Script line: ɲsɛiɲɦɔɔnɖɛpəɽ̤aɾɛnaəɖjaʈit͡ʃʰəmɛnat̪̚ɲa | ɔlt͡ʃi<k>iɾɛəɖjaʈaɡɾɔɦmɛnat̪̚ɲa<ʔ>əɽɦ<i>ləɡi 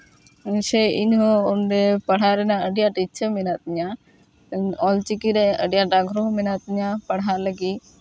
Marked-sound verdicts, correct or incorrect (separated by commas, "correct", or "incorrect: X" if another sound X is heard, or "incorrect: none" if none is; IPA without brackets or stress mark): correct, incorrect: p, incorrect: a